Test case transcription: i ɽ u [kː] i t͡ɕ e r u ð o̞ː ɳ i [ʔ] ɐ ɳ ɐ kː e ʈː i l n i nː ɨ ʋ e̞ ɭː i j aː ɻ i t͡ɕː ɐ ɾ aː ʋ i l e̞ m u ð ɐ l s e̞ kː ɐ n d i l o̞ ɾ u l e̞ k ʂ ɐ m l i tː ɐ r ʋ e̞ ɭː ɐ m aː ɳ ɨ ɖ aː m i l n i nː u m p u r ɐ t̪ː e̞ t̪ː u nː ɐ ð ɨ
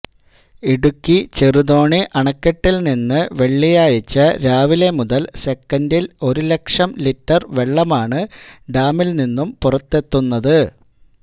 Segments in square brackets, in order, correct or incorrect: correct, correct

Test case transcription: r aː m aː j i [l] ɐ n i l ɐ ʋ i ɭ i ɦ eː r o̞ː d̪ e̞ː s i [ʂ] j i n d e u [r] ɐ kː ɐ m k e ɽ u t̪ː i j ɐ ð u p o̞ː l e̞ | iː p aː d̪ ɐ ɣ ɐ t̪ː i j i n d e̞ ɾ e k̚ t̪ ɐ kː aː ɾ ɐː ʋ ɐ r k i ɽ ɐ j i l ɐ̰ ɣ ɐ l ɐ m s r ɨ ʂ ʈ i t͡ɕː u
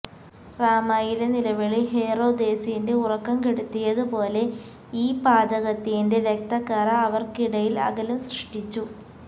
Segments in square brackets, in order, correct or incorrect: correct, incorrect: none, correct

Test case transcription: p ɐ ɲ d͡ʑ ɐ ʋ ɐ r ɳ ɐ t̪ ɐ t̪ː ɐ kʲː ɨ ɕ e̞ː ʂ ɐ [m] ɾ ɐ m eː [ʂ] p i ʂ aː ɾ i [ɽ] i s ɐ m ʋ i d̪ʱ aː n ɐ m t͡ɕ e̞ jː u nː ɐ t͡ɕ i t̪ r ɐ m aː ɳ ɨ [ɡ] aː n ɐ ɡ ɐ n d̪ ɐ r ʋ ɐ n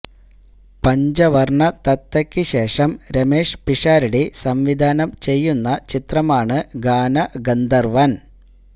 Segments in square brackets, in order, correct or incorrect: correct, correct, correct, correct

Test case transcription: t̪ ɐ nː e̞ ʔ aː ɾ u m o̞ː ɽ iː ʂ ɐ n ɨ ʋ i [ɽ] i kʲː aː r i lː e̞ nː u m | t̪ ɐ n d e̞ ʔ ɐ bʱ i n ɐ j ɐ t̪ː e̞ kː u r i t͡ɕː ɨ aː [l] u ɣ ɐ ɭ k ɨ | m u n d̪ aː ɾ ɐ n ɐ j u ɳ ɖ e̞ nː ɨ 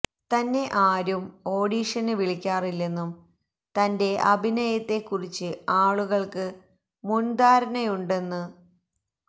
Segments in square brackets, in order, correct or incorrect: incorrect: ɭ, incorrect: ɭ

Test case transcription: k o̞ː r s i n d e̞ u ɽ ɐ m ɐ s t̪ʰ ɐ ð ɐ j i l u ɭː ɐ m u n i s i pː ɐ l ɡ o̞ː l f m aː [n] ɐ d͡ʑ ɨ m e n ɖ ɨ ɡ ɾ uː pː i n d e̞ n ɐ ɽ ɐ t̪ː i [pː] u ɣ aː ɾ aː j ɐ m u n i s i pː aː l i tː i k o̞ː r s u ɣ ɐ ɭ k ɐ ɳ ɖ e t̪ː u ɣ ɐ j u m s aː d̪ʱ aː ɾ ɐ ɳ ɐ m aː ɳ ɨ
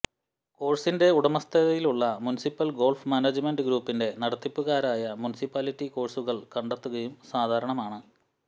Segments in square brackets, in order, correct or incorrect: correct, correct

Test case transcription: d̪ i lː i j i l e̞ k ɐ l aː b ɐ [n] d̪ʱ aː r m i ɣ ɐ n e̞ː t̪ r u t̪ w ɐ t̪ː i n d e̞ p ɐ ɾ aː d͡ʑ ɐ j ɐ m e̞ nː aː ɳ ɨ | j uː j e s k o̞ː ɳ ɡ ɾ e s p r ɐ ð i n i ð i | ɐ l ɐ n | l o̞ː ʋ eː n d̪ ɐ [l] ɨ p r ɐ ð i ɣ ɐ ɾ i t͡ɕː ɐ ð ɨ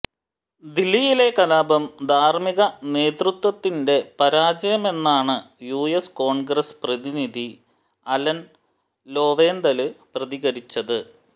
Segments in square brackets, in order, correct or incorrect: incorrect: m, correct

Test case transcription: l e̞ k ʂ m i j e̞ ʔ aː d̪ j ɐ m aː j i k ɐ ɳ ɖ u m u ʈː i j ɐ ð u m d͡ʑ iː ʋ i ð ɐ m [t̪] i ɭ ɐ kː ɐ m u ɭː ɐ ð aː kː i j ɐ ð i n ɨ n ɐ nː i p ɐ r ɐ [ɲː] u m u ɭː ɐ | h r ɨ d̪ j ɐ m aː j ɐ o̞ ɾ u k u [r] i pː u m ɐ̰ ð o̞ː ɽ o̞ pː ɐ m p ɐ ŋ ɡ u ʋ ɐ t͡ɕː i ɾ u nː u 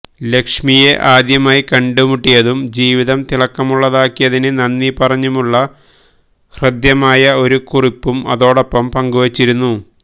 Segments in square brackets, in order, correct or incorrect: correct, correct, correct

